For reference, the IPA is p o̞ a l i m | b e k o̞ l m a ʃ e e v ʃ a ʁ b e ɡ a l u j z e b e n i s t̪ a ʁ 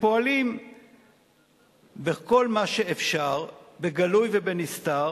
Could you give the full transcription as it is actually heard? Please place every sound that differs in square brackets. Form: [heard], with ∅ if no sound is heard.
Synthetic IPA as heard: p o̞ a l i m | b e k o̞ l m a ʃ e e [f] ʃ a ʁ b e ɡ a l u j [v] e b e n i s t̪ a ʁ